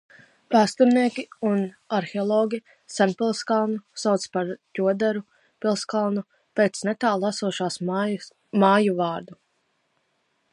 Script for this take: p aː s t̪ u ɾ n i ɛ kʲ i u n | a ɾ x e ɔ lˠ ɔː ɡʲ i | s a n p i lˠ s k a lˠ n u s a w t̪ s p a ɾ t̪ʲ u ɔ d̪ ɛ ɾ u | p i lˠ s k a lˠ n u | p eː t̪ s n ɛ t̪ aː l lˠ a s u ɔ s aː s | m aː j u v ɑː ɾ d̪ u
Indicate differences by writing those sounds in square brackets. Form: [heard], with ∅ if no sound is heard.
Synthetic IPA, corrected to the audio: p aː s t̪ u ɾ n i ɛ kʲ i u n | a ɾ x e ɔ lˠ ɔː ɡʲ i | s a n p i lˠ s k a lˠ n u s a w t̪ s p a ɾ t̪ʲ u ɔ d̪ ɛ ɾ u | p i lˠ s k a lˠ n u | p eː t̪ s n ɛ t̪ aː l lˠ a s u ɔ [ʃ] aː s | m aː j u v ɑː ɾ d̪ u

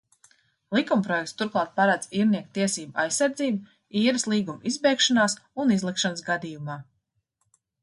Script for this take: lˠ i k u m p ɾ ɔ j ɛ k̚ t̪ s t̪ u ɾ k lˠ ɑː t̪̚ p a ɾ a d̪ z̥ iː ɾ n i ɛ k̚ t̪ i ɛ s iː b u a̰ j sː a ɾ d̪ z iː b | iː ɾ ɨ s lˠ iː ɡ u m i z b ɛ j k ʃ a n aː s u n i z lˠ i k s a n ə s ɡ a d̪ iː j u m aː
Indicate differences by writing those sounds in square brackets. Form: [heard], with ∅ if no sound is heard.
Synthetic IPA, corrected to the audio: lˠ i k u m p ɾ ɔ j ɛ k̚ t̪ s t̪ u ɾ k lˠ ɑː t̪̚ p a ɾ a d̪ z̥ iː ɾ n i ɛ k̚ t̪ i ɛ s iː b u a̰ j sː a ɾ d̪ z iː b | iː ɾ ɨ s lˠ iː ɡ u m i z b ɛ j k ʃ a n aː s u n i z lˠ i k [ʃ] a n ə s ɡ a d̪ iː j u m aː

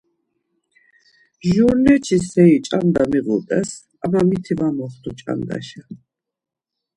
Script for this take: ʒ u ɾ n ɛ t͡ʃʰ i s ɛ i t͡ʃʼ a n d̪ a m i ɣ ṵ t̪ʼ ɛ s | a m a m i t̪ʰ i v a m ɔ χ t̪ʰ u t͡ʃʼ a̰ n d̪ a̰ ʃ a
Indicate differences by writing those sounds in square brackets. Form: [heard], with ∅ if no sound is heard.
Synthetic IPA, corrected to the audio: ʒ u ɾ n ɛ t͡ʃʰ i s ɛ i t͡ʃʼ a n d̪ a m i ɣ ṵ t̪ʼ ɛ s | a m a m i t̪ʰ i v a m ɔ χ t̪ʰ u t͡ʃʼ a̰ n d̪ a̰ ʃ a

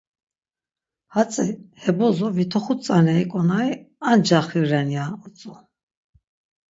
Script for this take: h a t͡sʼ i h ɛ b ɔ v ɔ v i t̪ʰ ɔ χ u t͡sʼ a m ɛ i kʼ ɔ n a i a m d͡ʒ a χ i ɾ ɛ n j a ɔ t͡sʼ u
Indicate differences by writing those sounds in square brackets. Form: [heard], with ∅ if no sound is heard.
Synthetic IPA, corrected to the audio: h a t͡sʼ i h ɛ b ɔ [z] ɔ v i t̪ʰ ɔ χ u t͡sʼ a [n] ɛ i kʼ ɔ n a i a [n] d͡ʒ a χ i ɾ ɛ n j a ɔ t͡sʼ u

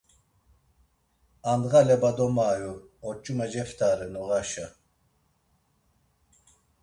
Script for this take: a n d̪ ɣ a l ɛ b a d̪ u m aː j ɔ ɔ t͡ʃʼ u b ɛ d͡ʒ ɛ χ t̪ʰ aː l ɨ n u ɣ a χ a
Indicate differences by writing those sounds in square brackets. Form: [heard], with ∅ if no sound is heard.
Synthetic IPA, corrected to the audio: a n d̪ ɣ a l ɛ b a d̪ [ɔ] m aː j [u] ɔ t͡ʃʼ u [m] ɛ d͡ʒ ɛ [f] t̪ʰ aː [ɾ] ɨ n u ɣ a [ʃ] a

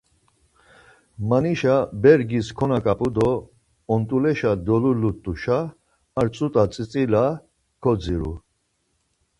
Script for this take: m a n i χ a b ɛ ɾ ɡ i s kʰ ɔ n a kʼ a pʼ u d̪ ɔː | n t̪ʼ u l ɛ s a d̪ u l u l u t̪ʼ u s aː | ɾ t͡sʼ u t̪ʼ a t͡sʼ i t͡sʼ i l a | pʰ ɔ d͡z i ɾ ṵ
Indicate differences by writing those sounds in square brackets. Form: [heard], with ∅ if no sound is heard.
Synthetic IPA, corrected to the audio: m a n i [ʃ] a b ɛ ɾ ɡ i s kʰ ɔ n a kʼ a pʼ u d̪ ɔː | n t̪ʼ u l ɛ [ʃ] a d̪ [ɔ] l u l u t̪ʼ u [ʃ] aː | ɾ t͡sʼ u t̪ʼ a t͡sʼ i t͡sʼ i l a | [kʰ] ɔ d͡z i ɾ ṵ

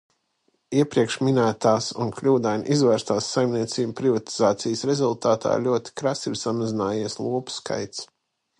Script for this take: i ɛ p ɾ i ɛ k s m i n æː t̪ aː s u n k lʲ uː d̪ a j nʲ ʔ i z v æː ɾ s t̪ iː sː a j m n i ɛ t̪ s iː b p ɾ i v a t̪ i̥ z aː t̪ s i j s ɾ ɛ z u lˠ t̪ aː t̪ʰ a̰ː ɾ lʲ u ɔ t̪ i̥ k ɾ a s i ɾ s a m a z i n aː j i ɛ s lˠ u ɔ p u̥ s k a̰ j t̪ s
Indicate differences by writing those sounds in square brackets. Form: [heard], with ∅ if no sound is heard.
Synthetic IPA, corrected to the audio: i ɛ p ɾ i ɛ k [ʃ] m i n æː t̪ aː s u n k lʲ uː d̪ a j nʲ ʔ i z v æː ɾ s t̪ [aː] sː a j m n i ɛ t̪ s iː b p ɾ i v a t̪ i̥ z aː t̪ s i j s ɾ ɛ z u lˠ t̪ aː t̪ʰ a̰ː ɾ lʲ u ɔ t̪ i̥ k ɾ a s i ɾ s a m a z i n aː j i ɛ s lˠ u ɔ p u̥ s k a̰ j t̪ s

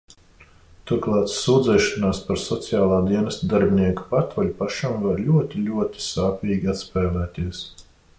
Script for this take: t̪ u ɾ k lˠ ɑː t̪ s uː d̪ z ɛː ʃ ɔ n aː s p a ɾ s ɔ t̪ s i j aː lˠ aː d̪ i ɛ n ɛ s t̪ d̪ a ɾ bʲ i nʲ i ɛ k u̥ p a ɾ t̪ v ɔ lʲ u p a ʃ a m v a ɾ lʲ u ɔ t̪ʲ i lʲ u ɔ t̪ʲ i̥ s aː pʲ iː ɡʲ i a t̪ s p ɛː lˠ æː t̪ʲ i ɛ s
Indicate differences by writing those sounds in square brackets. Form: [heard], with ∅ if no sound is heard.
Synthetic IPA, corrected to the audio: t̪ u ɾ k lˠ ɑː t̪ s uː d̪ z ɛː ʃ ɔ n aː s p a ɾ s ɔ t̪ s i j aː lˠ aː d̪ i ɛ n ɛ s t̪ d̪ a ɾ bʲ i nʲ i ɛ k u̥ p a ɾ t̪ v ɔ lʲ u p a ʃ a m v a ɾ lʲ u ɔ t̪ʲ i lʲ u ɔ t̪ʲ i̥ s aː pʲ iː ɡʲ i a t̪ s p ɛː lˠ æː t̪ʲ i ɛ s

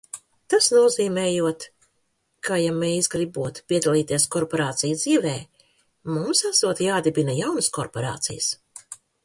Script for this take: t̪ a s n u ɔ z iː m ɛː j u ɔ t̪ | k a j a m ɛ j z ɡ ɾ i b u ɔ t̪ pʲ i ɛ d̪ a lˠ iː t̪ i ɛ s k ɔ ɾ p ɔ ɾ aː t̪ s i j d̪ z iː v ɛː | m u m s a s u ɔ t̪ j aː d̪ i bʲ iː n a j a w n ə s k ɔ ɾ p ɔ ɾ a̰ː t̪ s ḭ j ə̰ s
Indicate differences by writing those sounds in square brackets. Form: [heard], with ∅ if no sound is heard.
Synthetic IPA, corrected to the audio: t̪ a s n u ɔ z iː m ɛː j u ɔ t̪ | k a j a m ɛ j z ɡ ɾ i b u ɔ t̪ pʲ i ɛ d̪ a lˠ iː t̪ i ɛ s k ɔ ɾ p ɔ ɾ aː t̪ s i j d̪ z iː v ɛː | m u m s a s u ɔ t̪ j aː d̪ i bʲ [i] n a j a w n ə s k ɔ ɾ p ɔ ɾ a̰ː t̪ s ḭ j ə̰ s

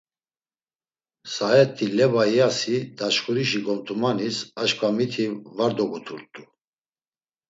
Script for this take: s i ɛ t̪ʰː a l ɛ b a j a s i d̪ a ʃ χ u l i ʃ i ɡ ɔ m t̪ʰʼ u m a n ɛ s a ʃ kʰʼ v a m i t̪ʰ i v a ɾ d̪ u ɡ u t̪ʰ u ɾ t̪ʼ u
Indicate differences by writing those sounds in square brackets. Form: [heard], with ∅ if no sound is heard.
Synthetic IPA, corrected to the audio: s [a] ɛ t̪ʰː [i] l ɛ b a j a s i d̪ a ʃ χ u [ɾ] i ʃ i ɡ ɔ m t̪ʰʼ u m a n [i] s a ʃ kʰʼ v a m i t̪ʰ i v a ɾ d̪ [ɔ] ɡ u t̪ʰ u ɾ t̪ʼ u

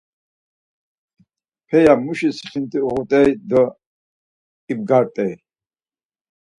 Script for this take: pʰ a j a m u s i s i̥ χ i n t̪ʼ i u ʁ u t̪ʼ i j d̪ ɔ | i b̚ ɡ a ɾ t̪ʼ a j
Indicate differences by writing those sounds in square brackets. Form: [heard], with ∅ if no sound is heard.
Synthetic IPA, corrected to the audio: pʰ [ɛ] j a m u [ʃ] i s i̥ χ i n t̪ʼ i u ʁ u t̪ʼ [ɛ] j d̪ ɔ | i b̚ ɡ a ɾ t̪ʼ [ɛ] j

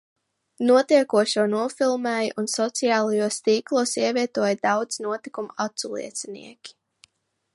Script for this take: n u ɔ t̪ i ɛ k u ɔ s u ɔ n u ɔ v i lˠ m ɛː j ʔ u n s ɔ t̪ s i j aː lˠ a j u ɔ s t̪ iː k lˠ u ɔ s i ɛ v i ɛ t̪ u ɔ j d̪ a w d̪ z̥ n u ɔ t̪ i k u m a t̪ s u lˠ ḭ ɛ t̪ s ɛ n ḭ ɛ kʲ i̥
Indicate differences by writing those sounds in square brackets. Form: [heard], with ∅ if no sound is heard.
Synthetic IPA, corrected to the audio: n u ɔ t̪ i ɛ k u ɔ [ʃ] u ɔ n u ɔ [f] i lˠ m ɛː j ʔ u n s ɔ t̪ s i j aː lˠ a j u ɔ s t̪ iː k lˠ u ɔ s i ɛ v i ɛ t̪ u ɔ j d̪ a w d̪ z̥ n u ɔ t̪ i k u m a t̪ s u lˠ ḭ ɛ t̪ s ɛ n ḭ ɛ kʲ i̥

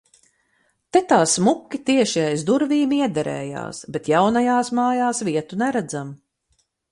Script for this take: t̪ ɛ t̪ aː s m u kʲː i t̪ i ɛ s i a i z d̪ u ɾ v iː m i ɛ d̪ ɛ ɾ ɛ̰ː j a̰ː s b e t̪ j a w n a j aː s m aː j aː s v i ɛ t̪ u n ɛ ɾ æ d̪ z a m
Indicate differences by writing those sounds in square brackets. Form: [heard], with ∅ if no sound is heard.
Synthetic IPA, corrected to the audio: t̪ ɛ t̪ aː s m u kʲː i t̪ i ɛ [ʃ] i a [j] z d̪ u ɾ v iː m i ɛ d̪ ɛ ɾ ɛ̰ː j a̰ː s b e t̪ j a w n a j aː s m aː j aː s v i ɛ t̪ u n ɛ ɾ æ d̪ z a m

